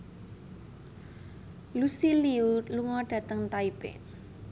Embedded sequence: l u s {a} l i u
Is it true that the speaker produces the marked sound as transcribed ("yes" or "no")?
no